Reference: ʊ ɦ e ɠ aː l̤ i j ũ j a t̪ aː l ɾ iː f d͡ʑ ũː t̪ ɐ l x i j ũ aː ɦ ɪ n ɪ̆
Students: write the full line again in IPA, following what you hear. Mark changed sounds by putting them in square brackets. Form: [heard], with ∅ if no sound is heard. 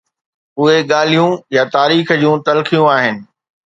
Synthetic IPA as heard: ʊ ɦ e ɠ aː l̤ i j ũ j a t̪ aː [∅] ɾ iː [x] d͡ʑ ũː t̪ ɐ l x i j ũ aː ɦ ɪ n ɪ̆